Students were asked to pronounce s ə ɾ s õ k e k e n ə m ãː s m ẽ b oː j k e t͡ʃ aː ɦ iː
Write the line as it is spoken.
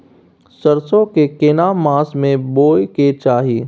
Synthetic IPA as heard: s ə ɾ s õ k e k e n a m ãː s m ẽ b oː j k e t͡ʃ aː ɦ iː

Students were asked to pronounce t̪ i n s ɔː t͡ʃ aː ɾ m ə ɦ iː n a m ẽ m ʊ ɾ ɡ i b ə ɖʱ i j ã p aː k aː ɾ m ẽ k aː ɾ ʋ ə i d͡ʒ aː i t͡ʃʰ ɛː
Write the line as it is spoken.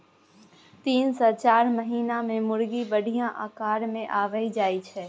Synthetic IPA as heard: t̪ iː n s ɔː t͡ʃ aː ɾ m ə ɦ iː n a m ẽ m ʊ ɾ ɡ i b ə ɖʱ i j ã ʔ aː k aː ɾ m ẽ ʔ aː ʋ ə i d͡ʒ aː i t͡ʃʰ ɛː

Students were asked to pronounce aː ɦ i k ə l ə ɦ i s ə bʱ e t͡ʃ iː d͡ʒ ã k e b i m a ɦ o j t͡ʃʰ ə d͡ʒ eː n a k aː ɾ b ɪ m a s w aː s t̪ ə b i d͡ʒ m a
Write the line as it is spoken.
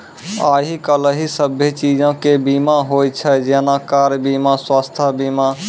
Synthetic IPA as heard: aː ɦ i k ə l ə ɦ i s ə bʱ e t͡ʃ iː d͡ʒ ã k e b i m a ɦ o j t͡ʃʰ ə d͡ʒ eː n a k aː ɾ b i m a s w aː s t̪ʰ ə b i m a

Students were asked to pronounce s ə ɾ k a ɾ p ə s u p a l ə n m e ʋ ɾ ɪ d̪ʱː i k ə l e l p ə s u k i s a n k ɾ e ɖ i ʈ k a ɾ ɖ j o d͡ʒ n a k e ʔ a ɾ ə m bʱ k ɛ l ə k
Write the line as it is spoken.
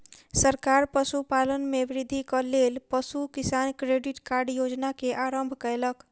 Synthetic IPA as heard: s ə ɾ k a ɾ p ə s u p a l ə n m e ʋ ɾ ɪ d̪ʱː i k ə l e l p ə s u k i s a n k ɾ e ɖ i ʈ k a ɾ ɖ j o d͡ʒ n a k e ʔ a ɾ ə m bʱ k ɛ l ə k

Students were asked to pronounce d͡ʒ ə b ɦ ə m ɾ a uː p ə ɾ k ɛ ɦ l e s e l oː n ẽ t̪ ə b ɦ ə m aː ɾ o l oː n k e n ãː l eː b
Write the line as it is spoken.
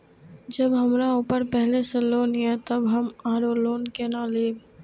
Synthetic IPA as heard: d͡ʒ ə b ɦ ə m ɾ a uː p ə ɾ p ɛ ɦ l e s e l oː n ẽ t̪ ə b ɦ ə m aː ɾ o l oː n k e n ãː l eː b

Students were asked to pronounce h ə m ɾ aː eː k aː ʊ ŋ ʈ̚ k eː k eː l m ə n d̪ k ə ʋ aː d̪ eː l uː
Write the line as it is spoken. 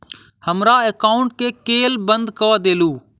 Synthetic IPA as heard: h ə m ɾ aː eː k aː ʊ ɳ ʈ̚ k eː k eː l b ə n d̪ k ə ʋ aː d̪ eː l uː

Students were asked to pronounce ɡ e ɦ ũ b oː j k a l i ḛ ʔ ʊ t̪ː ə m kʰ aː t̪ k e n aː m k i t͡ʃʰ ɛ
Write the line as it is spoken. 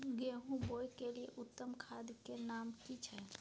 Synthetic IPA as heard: ɡ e ɦ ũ b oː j k e l i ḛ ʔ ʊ t̪ː ə m kʰ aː d̪ k e n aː m k i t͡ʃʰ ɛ

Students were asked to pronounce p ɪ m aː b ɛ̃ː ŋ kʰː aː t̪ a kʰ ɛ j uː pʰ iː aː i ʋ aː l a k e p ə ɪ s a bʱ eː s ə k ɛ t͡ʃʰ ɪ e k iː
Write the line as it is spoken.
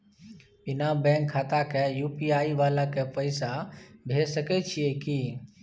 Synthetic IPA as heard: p ɪ n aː b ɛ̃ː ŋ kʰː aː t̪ a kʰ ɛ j uː p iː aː i ʋ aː l a k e p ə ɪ s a bʱ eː s ə k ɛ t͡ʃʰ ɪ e k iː

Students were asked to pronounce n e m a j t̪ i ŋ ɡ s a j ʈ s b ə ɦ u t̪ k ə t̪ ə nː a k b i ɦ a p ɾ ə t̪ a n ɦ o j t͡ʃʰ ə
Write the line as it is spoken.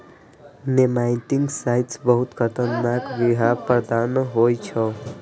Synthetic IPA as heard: n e m a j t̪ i ŋ ɡ s a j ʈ s b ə ɦ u t̪ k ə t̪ ə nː a k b i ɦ a p ɾ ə d̪ a n ɦ o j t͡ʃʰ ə

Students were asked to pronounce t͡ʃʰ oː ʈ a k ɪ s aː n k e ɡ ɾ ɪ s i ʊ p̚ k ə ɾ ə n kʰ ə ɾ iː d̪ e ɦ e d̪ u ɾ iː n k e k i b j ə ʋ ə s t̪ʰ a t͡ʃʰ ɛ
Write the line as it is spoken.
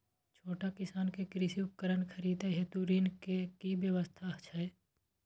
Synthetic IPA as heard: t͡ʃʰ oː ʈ a k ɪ s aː n k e k ɾ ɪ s i ʊ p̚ k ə ɾ ə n kʰ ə ɾ iː d̪ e ɦ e t̪ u ɾ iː n k e k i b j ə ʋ ə s t̪ʰ a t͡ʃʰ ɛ

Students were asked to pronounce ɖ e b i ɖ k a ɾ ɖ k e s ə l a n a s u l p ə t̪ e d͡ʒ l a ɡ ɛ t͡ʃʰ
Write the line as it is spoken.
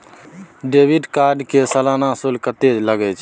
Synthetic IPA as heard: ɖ e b i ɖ k a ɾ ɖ k e s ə l a n a s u l k ə t̪ e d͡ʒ l ə ɡ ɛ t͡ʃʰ

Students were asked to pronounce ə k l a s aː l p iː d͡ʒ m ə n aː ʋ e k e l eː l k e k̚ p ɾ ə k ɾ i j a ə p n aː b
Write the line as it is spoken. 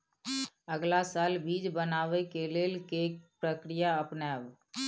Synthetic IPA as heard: ə ɡ l a s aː l b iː d͡ʒ b ə n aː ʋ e k e l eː l k e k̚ p ɾ ə k ɾ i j a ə p n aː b

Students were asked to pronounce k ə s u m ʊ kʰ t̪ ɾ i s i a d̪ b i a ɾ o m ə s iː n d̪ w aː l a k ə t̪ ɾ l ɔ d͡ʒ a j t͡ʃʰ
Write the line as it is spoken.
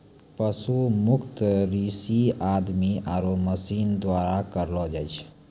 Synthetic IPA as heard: p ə s u m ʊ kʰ t̪ ɾ i s i a d̪ m i a ɾ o m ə s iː n d̪ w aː ɾ a k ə ɾ l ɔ d͡ʒ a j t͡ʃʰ

